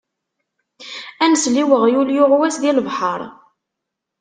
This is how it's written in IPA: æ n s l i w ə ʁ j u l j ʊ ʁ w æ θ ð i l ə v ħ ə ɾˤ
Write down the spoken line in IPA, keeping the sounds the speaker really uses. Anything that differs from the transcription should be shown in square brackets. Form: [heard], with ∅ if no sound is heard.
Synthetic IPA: æ n s l i w ə ʁ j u l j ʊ ʁ w æ [s] ð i l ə v ħ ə ɾˤ